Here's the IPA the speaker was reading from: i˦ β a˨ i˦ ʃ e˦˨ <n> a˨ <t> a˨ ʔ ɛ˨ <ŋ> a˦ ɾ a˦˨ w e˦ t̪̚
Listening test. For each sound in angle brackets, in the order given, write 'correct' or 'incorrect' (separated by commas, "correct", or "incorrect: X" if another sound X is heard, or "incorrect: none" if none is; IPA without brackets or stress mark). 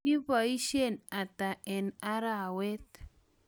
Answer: correct, correct, incorrect: n